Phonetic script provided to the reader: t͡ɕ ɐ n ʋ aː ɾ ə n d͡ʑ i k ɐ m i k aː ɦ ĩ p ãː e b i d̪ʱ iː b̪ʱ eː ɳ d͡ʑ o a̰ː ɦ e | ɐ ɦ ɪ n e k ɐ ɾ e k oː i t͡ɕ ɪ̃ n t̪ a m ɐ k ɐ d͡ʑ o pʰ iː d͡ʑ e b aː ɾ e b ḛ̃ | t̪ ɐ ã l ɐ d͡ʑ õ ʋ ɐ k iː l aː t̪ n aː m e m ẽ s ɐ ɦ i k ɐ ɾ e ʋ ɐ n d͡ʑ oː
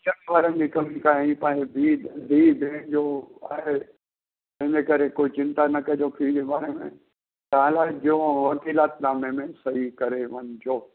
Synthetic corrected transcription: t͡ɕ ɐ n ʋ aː ɾ ə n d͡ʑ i k ɐ m i k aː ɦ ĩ p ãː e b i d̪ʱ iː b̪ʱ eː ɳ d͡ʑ o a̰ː ɦ e | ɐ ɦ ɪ n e k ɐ ɾ e k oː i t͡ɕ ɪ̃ n t̪ a n ɐ k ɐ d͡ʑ o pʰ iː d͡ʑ e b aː ɾ e m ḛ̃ | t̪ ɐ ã l a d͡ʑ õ ʋ ɐ k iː l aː t̪ n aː m e m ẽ s ɐ ɦ i k ɐ ɾ e ʋ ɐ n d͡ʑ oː